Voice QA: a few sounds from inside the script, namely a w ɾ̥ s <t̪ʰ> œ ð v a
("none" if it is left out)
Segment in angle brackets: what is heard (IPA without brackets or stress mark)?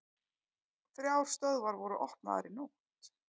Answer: t̪